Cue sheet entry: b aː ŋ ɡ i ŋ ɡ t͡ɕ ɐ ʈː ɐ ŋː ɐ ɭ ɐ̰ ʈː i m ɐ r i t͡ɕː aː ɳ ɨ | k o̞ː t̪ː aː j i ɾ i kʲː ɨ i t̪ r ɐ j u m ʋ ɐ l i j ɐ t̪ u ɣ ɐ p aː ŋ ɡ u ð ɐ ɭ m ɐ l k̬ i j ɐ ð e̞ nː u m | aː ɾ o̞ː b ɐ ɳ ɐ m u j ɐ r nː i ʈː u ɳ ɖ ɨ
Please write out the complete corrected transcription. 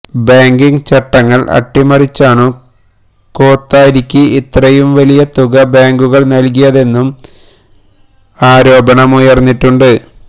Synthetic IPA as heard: b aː ŋ ɡ i ŋ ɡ t͡ɕ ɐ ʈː ɐ ŋː ɐ ɭ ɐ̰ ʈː i m ɐ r i t͡ɕː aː ɳ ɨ | k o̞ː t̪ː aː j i ɾ i kʲː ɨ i t̪ r ɐ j u m ʋ ɐ l i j ɐ t̪ u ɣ ɐ b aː ŋ ɡ u ɣ ɐ ɭ n ɐ l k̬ i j ɐ ð e̞ nː u m | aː ɾ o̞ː b ɐ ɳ ɐ m u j ɐ r nː i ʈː u ɳ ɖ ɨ

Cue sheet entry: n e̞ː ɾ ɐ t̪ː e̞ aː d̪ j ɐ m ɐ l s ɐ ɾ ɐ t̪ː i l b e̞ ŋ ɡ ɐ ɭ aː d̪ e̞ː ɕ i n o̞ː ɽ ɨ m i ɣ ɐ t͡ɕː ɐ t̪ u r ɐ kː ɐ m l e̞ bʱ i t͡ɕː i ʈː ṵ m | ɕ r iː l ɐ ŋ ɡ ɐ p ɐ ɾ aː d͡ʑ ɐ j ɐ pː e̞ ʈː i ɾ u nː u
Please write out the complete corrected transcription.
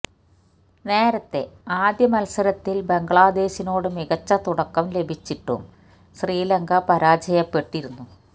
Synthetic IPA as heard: n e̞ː ɾ ɐ t̪ː e̞ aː d̪ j ɐ m ɐ l s ɐ ɾ ɐ t̪ː i l b e̞ ŋ ɡ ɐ ɭ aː d̪ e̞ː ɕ i n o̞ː ɽ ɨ m i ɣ ɐ t͡ɕː ɐ t̪ u ɽ ɐ kː ɐ m l e̞ bʱ i t͡ɕː i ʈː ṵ m | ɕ r iː l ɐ ŋ ɡ ɐ p ɐ ɾ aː d͡ʑ ɐ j ɐ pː e̞ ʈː i ɾ u nː u

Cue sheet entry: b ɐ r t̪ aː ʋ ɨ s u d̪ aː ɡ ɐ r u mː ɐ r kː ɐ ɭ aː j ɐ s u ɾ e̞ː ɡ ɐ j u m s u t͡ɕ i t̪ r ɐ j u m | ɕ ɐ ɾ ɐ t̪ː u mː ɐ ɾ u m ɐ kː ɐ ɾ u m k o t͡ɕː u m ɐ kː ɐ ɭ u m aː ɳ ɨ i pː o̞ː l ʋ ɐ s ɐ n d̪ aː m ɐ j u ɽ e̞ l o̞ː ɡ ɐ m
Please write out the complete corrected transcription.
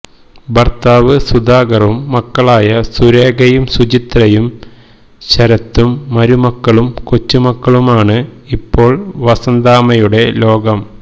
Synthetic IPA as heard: b ɐ r t̪ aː ʋ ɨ s u d̪ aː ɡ ɐ r u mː ɐ kː ɐ ɭ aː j ɐ s u ɾ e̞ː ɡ ɐ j u m s u t͡ɕ i t̪ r ɐ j u m | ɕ ɐ ɾ ɐ t̪ː u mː ɐ ɾ u m ɐ kː ɐ ɭ u m k o t͡ɕː u m ɐ kː ɐ ɭ u m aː ɳ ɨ i pː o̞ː ɭ ʋ ɐ s ɐ n d̪ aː m ɐ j u ɽ e̞ l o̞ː ɡ ɐ m

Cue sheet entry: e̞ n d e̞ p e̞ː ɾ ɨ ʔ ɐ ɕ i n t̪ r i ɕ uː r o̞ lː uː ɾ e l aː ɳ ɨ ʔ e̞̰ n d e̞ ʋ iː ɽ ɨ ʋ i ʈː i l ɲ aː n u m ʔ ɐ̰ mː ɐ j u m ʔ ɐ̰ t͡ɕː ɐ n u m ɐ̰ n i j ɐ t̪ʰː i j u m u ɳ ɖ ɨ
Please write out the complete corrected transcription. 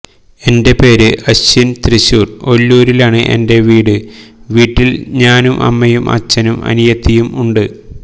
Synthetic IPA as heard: e̞ n d e̞ p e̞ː ɾ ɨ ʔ ɐ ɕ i n t̪ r i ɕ uː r o̞ lː uː ɾ i l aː ɳ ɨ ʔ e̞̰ n d e̞ ʋ iː ɽ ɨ ʋ iː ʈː i l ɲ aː n u m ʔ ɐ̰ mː ɐ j u m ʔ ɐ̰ t͡ɕː ɐ n u m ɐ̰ n i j ɐ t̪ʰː i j u m u ɳ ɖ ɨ

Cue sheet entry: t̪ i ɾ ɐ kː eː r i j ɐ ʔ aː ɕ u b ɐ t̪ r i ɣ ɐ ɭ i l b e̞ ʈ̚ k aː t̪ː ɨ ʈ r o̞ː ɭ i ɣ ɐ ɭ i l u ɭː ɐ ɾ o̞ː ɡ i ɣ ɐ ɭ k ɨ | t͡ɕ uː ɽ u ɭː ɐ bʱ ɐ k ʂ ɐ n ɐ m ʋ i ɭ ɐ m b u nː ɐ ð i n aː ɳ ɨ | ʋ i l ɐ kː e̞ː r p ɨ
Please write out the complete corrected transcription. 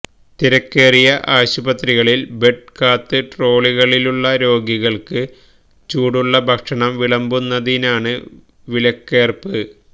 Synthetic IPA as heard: t̪ i ɾ ɐ kː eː r i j ɐ ʔ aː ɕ u b ɐ t̪ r i ɣ ɐ ɭ i l b e̞ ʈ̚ k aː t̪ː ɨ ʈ r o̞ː ɭ i ɣ ɐ ɭ i l u ɭː ɐ ɾ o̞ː ɡ i ɣ ɐ ɭ k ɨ | t͡ɕ uː ɽ u ɭː ɐ bʱ ɐ k ʂ ɐ ɳ ɐ m ʋ i ɭ ɐ m b u nː ɐ ð i n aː ɳ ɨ | ʋ i l ɐ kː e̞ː r p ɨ

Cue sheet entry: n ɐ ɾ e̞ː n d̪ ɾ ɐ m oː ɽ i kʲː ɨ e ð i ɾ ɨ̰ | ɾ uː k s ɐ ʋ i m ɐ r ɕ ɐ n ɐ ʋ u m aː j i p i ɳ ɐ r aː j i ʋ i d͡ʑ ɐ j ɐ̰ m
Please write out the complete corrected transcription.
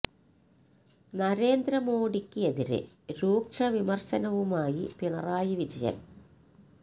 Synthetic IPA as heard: n ɐ ɾ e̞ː n d̪ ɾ ɐ m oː ɽ i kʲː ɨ e ð i ɾ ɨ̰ | ɾ uː k ʂ ɐ ʋ i m ɐ r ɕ ɐ n ɐ ʋ u m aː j i p i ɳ ɐ r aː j i ʋ i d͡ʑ ɐ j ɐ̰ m

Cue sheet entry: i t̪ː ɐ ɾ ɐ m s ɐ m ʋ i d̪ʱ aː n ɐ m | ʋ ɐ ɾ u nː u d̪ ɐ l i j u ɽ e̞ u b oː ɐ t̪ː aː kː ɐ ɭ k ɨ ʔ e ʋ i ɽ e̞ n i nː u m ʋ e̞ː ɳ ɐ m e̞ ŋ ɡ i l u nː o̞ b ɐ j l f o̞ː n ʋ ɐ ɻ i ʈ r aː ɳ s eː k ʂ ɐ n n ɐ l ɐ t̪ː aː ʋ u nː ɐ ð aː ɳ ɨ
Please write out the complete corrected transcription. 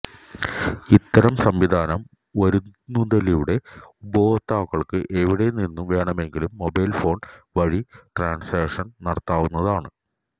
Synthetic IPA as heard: i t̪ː ɐ ɾ ɐ m s ɐ m ʋ i d̪ʱ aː n ɐ m | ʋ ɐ ɾ u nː u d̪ ɐ l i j u ɽ e̞ u b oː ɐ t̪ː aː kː ɐ ɭ k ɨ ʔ e ʋ i ɽ e̞ n i nː u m ʋ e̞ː ɳ ɐ m e̞ ŋ ɡ i l u mː o̞ b ɐ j l f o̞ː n ʋ ɐ ɻ i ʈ r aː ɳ s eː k ʂ ɐ n n ɐ ɽ ɐ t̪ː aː ʋ u nː ɐ ð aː ɳ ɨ

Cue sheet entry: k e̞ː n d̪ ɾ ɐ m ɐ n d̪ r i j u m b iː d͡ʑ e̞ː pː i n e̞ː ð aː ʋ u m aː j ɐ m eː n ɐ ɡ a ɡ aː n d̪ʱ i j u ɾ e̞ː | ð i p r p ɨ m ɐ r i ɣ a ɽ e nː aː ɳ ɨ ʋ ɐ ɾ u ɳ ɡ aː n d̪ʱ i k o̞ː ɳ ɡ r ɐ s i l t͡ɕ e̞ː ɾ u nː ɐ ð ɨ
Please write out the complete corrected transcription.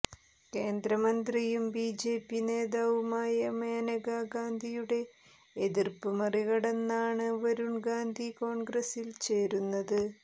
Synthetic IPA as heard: k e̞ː n d̪ ɾ ɐ m ɐ n d̪ r i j u m b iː d͡ʑ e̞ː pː i n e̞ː ð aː ʋ u m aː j ɐ m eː n ɐ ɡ a ɡ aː n d̪ʱ i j u ɽ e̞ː | ð i r p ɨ m ɐ r i ɣ ɐ ɽ e nː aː ɳ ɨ ʋ ɐ ɾ u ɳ ɡ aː n d̪ʱ i k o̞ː ɳ ɡ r ɐ s i l t͡ɕ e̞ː ɾ u nː ɐ ð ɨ

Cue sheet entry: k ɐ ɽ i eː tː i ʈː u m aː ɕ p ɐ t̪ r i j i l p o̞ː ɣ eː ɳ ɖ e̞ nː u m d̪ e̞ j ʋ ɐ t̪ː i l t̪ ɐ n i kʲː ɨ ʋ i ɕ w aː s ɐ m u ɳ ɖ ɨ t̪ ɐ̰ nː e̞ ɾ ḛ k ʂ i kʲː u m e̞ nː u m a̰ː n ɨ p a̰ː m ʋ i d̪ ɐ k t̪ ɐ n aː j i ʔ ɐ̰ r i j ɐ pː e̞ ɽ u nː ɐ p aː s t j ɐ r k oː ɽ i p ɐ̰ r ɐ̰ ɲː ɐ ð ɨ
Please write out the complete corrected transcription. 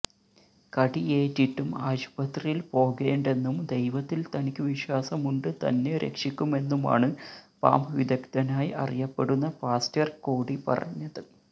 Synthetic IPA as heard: k ɐ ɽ i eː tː i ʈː u m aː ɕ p ɐ t̪ r i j i l p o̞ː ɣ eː ɳ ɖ e̞ nː u m d̪ e̞ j ʋ ɐ t̪ː i l t̪ ɐ n i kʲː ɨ ʋ i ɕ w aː s ɐ m u ɳ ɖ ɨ t̪ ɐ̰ nː e̞ ɾ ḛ k ʂ i kʲː u m e̞ nː u m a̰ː ɳ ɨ p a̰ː m ʋ i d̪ ɐ k t̪ ɐ n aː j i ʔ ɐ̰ r i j ɐ pː e̞ ɽ u nː ɐ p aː s t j ɐ r k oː ɽ i p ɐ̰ r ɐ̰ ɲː ɐ ð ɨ

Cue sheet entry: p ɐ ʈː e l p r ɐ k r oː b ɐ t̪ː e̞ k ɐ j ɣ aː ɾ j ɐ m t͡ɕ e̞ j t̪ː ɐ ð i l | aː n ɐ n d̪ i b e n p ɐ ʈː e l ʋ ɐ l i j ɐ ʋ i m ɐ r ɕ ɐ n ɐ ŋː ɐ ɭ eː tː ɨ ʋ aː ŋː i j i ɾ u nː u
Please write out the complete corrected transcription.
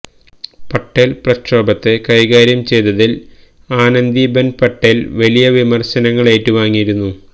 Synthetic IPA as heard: p ɐ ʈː e l p r ɐ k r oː b ɐ t̪ː e̞ k ɐ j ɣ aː ɾ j ɐ m t͡ɕ e̞ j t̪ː ɐ ð i l | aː n ɐ n d̪ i b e n p ɐ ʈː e l ʋ ɐ l i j ɐ ʋ i m ɐ r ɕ ɐ n ɐ ŋː ɐ ɭ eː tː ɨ ʋ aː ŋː i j i ɾ u nː u

